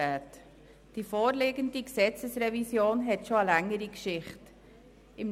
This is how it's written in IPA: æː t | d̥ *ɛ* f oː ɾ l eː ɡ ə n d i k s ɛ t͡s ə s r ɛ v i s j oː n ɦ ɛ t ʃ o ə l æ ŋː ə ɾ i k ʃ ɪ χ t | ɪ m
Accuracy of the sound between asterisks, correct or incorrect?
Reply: incorrect